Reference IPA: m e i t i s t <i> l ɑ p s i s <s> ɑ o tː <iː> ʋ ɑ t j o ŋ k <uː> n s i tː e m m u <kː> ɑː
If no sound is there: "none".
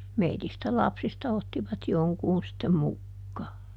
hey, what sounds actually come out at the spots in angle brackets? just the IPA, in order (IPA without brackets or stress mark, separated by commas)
æ, t, i, uː, kː